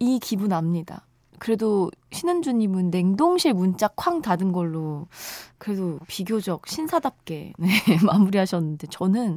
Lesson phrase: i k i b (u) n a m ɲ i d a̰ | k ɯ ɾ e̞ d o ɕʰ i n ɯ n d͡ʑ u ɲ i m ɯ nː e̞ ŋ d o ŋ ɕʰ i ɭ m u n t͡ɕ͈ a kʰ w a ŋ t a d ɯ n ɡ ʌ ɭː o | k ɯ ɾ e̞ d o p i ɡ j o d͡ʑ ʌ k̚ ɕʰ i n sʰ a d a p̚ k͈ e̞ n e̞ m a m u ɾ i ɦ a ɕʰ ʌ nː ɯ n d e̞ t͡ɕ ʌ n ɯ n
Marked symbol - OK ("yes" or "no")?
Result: yes